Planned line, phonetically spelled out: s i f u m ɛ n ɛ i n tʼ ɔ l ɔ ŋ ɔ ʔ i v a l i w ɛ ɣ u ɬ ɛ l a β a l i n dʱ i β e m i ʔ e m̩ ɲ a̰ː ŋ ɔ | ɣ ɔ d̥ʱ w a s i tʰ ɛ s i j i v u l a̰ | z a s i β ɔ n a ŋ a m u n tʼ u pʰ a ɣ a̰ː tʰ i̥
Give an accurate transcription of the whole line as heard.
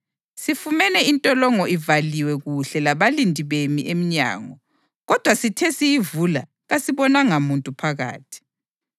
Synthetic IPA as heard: s i f u m ɛ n ɛ i n tʼ ɔ l ɔ ŋ ɔ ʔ i v a l i w ɛ ɣ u ɬ ɛ l a β a l i n dʱ i β e m i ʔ e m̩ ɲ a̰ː ŋ ɔ | ɣ ɔ d̥ʱ w a s i tʰ ɛ s i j i v u l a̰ | ɣ a s i β ɔ n a ŋ a m u n tʼ u pʰ a ɣ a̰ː tʰ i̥